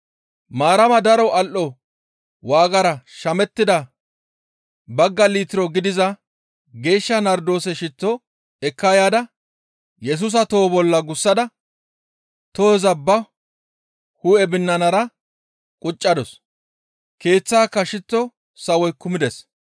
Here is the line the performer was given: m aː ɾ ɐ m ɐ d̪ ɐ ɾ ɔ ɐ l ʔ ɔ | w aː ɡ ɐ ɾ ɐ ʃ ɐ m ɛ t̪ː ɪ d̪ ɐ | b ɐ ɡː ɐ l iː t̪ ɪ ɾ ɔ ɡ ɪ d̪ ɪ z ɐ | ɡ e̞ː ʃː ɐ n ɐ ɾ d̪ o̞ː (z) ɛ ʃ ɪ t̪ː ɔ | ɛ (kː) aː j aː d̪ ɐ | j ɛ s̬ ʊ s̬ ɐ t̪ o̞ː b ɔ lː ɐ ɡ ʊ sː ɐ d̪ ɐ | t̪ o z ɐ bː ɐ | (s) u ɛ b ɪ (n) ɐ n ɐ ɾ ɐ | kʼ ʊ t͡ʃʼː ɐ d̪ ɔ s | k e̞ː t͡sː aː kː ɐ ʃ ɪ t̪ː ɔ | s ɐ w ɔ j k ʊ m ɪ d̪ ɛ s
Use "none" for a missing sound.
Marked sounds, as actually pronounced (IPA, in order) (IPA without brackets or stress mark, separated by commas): s, kː, h, nː